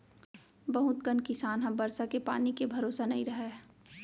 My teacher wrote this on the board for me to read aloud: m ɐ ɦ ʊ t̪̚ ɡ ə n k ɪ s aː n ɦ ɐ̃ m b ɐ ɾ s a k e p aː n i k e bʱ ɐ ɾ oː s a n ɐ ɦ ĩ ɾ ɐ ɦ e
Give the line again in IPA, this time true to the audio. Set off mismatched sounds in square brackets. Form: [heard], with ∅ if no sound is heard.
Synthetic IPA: [b] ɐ ɦ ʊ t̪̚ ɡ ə n k ɪ s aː n ɦ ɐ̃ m b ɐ ɾ s a k e p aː n i k e bʱ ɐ ɾ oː s a n ɐ ɦ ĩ ɾ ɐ ɦ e